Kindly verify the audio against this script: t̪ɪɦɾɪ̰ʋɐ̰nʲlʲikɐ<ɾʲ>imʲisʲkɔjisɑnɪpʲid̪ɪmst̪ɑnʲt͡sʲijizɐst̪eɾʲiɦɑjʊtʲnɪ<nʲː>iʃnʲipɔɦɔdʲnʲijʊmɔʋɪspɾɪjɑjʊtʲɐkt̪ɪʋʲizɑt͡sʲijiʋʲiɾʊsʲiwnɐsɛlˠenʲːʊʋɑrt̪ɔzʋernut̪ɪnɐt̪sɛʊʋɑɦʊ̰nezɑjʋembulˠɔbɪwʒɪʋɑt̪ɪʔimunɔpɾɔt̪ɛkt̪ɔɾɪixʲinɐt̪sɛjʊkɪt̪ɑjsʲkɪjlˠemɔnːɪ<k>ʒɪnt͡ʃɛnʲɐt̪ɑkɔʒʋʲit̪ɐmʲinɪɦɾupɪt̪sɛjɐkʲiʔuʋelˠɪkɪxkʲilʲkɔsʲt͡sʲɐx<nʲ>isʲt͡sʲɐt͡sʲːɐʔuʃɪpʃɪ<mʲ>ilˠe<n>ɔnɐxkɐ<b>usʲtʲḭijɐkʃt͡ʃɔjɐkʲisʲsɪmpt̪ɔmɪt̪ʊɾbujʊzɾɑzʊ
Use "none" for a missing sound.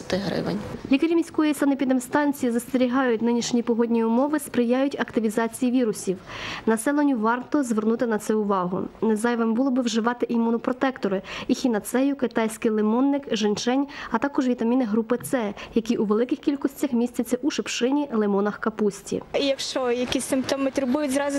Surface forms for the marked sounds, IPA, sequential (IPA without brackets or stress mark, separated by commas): ɾʲ, nʲ, k, mʲ, nʲ, m, p